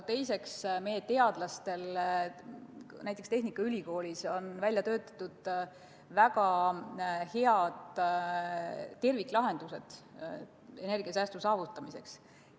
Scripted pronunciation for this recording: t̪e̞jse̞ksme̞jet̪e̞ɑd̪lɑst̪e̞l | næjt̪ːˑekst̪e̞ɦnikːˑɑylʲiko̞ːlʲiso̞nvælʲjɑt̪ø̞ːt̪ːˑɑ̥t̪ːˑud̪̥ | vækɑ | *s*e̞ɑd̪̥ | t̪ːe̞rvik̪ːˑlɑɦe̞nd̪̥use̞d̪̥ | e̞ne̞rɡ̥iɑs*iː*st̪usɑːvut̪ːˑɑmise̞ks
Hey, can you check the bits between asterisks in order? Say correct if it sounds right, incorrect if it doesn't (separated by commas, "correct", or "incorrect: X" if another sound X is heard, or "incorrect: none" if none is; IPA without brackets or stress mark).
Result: incorrect: h, incorrect: æː